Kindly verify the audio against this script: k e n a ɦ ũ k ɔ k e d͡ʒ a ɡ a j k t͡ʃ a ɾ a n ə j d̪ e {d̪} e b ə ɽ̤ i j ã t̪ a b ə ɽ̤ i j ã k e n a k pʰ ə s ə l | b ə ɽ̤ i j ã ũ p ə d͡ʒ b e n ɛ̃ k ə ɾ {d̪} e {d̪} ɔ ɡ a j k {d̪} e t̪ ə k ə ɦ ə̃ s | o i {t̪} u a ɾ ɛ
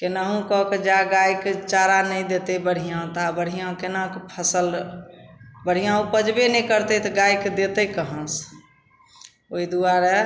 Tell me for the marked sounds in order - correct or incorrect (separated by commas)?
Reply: incorrect, incorrect, incorrect, correct, incorrect